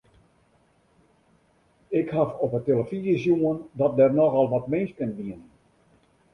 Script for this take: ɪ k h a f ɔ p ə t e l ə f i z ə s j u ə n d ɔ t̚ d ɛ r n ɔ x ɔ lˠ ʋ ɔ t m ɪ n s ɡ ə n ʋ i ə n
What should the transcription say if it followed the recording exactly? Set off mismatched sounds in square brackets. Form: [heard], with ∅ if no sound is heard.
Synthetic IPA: ɪ k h a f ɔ p ə t e l ə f i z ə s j u ə n d ɔ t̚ d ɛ r n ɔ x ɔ lˠ ʋ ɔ t m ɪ n s [k] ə n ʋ i ə n